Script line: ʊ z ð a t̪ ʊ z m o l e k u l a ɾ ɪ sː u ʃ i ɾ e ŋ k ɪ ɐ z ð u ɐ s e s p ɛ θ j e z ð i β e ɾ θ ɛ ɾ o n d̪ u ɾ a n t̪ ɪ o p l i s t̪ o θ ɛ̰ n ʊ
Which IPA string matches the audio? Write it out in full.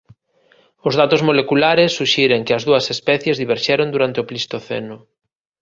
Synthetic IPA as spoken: ʊ z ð a t̪ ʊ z m o l e k u l a ɾ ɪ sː u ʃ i ɾ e ŋ k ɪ ɐ z ð u ɐ s e s p ɛ θ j e z ð i β e ɾ ʃ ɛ ɾ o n d̪ u ɾ a n t̪ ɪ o p l i s t̪ o θ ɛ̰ n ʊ